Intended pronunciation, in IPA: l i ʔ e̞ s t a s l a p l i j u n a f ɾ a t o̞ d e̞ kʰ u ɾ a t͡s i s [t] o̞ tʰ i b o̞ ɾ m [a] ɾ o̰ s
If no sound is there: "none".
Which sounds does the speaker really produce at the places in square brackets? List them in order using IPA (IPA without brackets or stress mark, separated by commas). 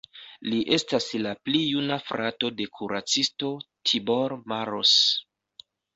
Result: t, a